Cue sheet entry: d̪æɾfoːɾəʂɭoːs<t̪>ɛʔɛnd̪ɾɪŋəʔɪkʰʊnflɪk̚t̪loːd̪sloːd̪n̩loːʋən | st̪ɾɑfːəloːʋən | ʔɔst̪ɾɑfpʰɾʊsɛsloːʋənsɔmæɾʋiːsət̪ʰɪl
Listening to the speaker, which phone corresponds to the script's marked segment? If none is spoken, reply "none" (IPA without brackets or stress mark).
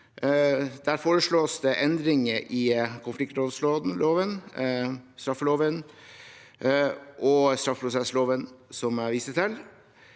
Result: d̪